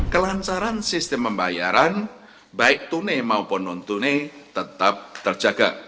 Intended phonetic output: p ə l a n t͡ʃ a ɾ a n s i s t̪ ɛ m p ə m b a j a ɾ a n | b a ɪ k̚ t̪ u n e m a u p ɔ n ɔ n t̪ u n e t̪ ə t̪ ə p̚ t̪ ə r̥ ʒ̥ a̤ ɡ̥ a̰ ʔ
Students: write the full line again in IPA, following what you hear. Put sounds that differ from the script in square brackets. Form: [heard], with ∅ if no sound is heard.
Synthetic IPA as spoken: [k] ə l a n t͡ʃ a ɾ a n s i s t̪ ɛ m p ə m b a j a ɾ a n | b a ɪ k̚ t̪ u n e m a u p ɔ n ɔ n t̪ u n e t̪ ə t̪ [a] p̚ t̪ ə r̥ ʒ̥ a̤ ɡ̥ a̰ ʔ